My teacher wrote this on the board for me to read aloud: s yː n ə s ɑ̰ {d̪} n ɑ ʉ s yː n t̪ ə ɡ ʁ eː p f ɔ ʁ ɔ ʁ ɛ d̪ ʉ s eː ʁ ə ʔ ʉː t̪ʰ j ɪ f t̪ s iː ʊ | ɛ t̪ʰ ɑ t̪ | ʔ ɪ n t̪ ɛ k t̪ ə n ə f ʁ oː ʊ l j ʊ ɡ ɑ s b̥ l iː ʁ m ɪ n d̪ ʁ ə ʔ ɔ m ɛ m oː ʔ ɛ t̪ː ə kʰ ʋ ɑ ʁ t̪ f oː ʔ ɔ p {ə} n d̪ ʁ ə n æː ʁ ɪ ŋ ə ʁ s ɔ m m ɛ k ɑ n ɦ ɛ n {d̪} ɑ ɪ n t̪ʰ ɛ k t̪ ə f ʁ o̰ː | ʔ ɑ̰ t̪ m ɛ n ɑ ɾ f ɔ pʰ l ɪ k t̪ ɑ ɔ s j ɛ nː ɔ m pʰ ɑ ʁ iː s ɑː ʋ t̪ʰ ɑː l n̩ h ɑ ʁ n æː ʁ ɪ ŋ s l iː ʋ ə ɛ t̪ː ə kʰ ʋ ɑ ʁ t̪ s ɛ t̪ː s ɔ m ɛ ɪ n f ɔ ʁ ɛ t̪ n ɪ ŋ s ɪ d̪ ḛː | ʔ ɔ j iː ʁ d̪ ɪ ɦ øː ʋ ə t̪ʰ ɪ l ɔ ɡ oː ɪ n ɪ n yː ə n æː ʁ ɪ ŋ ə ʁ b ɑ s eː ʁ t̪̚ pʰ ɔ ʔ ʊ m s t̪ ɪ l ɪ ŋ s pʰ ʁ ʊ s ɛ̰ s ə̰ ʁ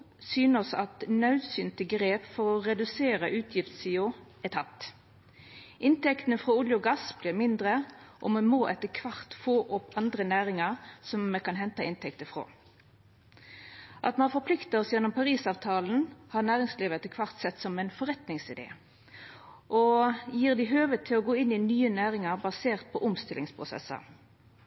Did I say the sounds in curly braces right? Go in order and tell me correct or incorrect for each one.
incorrect: t̪, incorrect: ɑ, incorrect: t̪

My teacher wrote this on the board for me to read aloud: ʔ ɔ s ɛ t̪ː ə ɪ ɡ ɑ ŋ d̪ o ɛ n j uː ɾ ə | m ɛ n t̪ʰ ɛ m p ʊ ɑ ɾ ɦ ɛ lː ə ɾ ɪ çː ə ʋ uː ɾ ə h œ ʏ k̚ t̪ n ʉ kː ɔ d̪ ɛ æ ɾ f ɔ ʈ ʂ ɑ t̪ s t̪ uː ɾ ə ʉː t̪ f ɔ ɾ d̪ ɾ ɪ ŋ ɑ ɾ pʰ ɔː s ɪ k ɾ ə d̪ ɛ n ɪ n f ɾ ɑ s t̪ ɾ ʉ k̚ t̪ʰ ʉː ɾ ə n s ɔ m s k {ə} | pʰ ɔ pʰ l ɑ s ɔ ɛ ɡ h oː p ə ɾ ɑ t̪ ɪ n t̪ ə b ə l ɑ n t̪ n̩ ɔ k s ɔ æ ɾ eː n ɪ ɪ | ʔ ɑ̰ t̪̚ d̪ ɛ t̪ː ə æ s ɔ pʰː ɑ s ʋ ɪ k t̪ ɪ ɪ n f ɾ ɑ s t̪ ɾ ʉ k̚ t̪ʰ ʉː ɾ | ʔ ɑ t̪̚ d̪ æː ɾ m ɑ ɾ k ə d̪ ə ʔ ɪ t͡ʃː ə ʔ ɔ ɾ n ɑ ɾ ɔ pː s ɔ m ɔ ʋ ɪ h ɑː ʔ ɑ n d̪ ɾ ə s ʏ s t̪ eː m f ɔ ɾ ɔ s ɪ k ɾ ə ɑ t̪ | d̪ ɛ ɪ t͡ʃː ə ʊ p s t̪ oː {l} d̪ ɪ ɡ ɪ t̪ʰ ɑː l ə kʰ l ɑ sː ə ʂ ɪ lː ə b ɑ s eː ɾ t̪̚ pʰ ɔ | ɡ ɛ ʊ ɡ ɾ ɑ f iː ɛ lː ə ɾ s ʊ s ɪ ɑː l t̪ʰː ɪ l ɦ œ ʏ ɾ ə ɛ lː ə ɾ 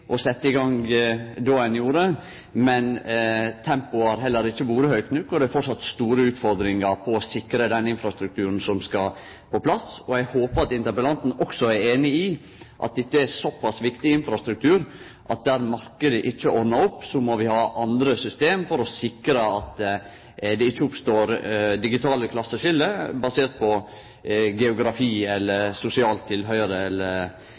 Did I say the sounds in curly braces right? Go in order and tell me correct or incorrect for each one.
incorrect: ɑ, incorrect: ɾ

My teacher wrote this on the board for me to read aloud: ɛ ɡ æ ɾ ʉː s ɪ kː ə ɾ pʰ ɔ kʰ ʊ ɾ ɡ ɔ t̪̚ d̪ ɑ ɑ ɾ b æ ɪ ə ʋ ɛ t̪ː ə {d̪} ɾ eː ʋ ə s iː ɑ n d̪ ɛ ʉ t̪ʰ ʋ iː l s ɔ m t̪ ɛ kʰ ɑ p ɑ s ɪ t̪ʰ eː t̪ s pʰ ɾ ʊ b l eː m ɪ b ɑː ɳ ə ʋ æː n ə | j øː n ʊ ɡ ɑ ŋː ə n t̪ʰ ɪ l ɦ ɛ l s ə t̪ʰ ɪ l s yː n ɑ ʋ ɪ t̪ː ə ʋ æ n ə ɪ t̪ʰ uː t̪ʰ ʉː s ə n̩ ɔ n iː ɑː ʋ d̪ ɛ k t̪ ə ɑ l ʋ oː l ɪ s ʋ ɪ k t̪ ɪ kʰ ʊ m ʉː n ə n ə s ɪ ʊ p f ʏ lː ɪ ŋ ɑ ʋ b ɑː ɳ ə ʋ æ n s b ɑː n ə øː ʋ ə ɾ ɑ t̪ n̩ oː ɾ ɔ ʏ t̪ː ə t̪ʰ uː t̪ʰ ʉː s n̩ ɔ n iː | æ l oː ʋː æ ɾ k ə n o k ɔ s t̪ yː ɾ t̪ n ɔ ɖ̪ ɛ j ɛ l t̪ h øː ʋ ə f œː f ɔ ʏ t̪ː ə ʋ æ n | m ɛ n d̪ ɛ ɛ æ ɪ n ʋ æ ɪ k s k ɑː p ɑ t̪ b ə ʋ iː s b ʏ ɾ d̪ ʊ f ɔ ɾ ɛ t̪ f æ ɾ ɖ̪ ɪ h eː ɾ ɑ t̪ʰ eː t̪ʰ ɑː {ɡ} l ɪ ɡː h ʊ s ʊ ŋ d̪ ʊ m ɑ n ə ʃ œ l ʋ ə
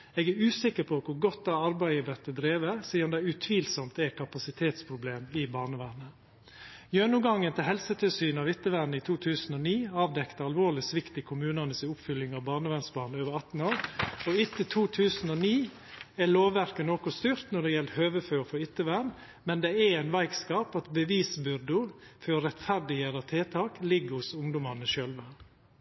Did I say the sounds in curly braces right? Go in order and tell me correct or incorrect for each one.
correct, incorrect: k

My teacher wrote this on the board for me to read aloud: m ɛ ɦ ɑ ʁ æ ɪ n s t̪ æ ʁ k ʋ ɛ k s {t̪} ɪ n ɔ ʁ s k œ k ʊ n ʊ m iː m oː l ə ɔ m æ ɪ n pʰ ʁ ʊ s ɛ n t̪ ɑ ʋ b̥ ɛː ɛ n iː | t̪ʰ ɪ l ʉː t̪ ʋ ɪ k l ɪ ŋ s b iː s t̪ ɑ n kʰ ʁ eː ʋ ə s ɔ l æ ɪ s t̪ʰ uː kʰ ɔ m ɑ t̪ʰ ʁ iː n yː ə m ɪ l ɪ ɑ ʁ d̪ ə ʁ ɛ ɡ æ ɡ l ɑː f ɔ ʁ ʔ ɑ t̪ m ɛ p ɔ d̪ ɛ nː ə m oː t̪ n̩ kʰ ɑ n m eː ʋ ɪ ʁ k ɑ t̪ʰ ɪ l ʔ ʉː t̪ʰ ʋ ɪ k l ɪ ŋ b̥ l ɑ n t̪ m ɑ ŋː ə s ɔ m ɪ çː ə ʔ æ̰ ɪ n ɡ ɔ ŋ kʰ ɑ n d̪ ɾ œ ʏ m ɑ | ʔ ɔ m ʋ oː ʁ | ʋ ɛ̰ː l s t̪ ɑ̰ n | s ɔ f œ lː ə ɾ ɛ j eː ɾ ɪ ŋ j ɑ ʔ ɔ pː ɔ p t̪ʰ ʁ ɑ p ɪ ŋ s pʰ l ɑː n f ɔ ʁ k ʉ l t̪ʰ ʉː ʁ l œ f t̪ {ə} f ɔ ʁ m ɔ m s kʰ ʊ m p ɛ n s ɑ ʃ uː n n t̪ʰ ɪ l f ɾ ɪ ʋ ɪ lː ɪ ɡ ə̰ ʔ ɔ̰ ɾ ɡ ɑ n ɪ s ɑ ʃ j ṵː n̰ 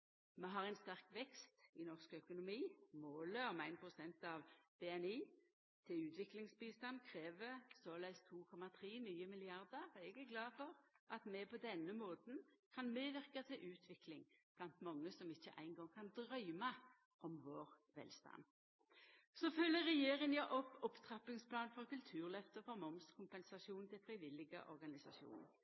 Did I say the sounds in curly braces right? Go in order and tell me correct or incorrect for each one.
correct, correct

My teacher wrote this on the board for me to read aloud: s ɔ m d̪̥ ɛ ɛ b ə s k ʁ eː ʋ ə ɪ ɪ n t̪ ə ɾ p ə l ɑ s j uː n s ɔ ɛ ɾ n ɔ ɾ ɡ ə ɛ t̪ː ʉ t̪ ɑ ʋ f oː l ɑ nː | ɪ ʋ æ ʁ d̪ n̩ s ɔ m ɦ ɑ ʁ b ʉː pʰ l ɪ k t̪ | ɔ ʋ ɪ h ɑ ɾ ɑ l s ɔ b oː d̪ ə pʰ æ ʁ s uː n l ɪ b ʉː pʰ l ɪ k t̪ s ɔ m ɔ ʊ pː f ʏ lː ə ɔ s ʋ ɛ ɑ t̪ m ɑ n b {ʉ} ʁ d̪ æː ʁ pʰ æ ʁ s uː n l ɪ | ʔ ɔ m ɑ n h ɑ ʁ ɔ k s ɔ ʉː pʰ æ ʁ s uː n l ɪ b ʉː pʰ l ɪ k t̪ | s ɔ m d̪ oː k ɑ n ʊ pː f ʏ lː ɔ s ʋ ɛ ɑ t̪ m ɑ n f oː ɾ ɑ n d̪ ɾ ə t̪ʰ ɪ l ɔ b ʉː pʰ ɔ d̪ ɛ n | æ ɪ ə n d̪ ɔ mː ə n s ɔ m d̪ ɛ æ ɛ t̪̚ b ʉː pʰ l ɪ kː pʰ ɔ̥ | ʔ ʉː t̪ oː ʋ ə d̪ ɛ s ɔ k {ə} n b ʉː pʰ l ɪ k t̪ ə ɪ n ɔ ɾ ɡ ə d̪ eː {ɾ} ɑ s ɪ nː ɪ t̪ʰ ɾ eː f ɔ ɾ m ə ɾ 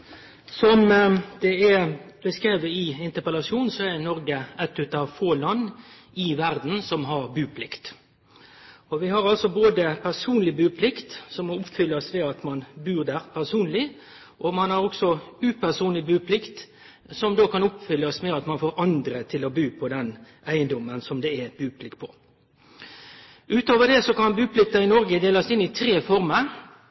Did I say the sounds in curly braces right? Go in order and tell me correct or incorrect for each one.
incorrect: ʉː, incorrect: ɑ, incorrect: l

